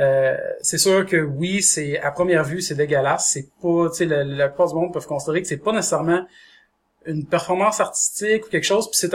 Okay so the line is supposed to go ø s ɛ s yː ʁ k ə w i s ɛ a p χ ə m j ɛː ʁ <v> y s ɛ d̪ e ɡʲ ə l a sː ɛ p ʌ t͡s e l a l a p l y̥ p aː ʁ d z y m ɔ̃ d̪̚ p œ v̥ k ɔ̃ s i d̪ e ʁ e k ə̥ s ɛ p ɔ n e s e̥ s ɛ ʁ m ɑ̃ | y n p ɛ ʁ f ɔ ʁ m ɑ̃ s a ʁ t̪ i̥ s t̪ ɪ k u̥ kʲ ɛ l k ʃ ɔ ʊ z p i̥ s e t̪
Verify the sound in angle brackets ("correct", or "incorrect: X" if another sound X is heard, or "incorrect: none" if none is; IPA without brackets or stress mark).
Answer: correct